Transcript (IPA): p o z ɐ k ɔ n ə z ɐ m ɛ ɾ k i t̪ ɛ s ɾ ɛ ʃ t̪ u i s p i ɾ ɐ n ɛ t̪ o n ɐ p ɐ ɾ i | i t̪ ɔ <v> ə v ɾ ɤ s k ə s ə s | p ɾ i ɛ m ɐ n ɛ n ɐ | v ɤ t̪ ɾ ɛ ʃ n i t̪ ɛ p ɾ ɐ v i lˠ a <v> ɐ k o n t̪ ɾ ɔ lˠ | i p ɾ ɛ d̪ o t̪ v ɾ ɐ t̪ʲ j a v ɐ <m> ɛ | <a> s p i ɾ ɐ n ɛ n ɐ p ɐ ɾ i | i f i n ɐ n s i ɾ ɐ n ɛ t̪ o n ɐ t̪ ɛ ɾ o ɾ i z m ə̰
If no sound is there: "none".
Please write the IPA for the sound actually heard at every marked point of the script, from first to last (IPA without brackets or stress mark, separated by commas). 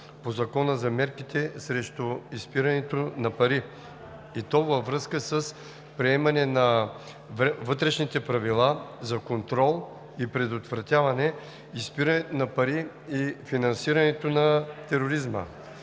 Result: v, z, n, i